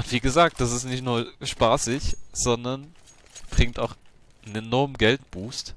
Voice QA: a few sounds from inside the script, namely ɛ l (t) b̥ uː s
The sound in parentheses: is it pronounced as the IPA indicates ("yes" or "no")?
yes